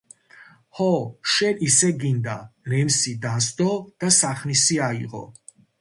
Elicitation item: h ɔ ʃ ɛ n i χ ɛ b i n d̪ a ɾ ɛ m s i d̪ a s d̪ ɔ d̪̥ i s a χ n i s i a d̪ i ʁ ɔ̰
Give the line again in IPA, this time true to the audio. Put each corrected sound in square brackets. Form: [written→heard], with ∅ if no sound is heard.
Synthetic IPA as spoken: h ɔ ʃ ɛ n i [χ→s] ɛ [b→ɡ] i n d̪ a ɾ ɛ m s i d̪ a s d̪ ɔ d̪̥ [i→a] s a χ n i s i a [d̪→∅] i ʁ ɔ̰